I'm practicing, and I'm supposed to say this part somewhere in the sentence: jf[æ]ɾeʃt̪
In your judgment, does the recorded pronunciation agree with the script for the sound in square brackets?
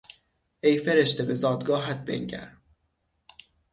no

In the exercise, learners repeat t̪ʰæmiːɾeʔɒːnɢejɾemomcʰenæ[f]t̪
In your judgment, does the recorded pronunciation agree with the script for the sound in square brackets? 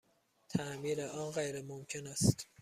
no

